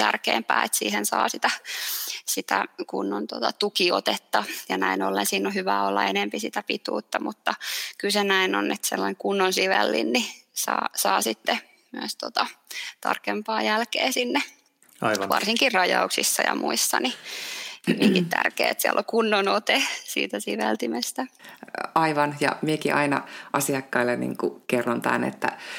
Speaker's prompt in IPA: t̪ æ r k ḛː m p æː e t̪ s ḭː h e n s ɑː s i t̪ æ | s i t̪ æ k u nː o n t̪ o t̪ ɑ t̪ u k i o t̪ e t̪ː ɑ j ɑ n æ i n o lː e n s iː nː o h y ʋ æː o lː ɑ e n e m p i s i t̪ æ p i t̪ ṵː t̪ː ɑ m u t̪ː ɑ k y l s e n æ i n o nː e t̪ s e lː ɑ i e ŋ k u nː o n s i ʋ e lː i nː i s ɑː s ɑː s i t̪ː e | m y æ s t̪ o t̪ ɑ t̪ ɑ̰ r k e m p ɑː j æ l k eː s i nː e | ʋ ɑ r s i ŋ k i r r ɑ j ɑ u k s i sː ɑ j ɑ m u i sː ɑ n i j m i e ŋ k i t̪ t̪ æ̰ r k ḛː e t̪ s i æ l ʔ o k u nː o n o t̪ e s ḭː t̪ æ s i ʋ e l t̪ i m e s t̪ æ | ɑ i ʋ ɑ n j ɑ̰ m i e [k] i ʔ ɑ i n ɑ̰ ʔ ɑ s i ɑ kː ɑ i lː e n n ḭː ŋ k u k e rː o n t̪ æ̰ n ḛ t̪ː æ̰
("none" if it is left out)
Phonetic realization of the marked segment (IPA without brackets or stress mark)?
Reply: k